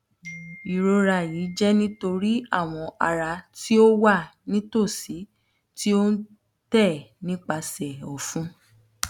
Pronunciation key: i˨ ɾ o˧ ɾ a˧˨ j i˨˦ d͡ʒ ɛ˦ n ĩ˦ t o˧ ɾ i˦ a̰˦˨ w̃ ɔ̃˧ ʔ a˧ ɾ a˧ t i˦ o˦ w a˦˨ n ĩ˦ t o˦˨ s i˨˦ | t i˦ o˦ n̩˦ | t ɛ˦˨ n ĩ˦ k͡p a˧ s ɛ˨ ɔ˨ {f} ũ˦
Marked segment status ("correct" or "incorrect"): correct